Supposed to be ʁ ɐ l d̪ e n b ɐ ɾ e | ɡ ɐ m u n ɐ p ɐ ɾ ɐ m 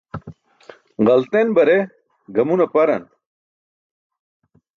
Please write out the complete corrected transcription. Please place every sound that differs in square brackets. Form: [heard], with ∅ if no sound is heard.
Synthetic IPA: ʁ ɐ l [t̪] e n b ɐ ɾ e | ɡ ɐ m u n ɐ p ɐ ɾ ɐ [n]